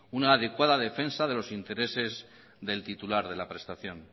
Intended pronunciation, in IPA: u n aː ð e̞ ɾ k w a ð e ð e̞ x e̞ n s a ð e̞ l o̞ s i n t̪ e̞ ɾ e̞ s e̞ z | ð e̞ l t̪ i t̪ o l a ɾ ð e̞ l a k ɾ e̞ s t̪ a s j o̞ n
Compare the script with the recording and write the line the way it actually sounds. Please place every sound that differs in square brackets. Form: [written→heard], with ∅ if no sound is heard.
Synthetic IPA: u n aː ð e̞ [ɾ→∅] k w a ð [e→a] ð e̞ [x→f] e̞ n s a ð e̞ l o̞ s i n t̪ e̞ ɾ e̞ s e̞ z | ð e̞ l t̪ i t̪ [o→u] l a ɾ ð e̞ l a [k→p] ɾ e̞ s t̪ a [s→θ] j o̞ n